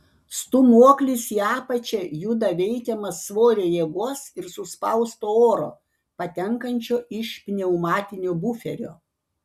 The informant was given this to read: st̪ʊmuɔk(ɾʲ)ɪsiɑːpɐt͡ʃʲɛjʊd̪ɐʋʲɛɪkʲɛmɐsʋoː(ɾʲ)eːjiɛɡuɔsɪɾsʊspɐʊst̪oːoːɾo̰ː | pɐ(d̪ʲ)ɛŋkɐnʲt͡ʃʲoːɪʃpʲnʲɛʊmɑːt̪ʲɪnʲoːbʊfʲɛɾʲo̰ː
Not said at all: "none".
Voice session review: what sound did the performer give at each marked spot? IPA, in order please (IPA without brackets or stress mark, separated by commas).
lʲ, ɾʲ, t̪ʲ